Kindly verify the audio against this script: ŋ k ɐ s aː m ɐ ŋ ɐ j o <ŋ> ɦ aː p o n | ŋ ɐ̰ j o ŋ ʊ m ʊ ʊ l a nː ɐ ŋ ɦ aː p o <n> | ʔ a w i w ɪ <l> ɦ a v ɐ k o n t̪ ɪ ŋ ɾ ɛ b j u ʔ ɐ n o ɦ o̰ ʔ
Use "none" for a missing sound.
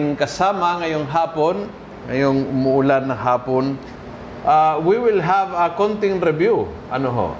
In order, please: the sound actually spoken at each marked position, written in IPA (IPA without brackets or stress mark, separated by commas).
ŋ, n, l